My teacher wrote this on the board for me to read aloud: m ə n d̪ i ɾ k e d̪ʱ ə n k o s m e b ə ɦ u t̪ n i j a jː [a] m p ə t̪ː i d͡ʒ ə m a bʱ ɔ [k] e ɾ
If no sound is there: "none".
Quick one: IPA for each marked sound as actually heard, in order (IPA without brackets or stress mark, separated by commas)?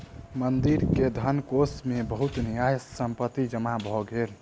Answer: ə, ɡ